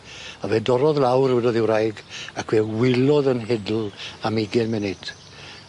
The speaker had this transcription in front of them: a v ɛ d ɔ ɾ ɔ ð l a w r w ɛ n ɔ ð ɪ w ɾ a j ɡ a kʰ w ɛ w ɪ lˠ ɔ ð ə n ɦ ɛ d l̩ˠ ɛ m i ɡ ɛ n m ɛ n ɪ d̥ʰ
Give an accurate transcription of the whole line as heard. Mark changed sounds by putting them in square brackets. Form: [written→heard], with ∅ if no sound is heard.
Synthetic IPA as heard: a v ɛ d ɔ ɾ ɔ ð l a w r w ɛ [n→d] ɔ ð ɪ w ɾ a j ɡ a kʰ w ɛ w ɪ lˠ ɔ ð ə n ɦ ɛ d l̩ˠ [ɛ→a] m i ɡ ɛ n m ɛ n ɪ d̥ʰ